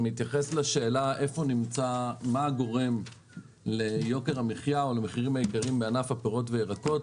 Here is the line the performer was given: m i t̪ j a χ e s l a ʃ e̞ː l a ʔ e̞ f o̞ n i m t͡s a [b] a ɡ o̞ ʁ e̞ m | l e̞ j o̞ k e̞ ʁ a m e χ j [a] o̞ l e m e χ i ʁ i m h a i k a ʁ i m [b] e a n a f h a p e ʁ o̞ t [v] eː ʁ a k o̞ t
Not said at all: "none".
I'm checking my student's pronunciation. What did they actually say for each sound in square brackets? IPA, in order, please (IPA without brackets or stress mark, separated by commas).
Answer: m, a, b, v